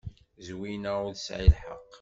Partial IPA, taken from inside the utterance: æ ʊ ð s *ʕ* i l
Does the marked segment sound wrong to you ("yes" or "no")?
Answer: no